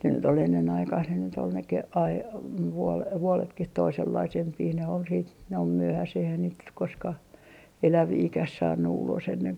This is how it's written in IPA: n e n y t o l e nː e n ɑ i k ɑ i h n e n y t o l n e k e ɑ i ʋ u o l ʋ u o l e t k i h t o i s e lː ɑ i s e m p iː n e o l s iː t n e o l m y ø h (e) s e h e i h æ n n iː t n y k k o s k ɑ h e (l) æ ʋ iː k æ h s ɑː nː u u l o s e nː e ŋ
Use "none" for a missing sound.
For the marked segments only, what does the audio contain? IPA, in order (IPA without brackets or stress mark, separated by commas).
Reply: æ, l